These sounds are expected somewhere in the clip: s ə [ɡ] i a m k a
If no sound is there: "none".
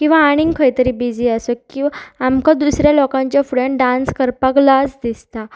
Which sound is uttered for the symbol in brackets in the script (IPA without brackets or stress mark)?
k